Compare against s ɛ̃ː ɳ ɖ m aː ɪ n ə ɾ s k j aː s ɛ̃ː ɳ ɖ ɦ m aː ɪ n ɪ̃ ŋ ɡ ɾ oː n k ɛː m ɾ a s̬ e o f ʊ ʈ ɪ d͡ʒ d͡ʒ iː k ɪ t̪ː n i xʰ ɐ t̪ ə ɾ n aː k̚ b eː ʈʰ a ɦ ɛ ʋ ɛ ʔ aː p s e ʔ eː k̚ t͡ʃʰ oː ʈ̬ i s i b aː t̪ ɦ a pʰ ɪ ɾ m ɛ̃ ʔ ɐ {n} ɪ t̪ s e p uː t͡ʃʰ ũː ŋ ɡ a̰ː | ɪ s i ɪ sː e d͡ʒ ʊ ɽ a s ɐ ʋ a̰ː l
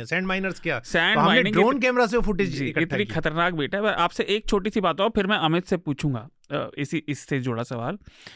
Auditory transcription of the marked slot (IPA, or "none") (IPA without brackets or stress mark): m